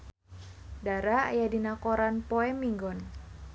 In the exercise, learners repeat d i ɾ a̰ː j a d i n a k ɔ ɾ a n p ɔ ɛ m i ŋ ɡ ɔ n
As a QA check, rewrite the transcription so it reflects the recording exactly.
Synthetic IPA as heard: d a ɾ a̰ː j a d i n a k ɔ ɾ a n p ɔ ɛ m i ŋ ɡ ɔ n